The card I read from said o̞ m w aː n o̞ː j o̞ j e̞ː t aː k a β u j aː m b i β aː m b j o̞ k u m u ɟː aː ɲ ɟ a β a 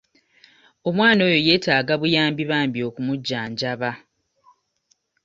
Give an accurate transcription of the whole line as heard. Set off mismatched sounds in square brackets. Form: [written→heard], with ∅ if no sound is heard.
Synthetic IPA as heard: o̞ m w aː n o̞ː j o̞ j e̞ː t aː [k→ɡ] a β u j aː m b i β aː m b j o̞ k u m u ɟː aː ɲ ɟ a β a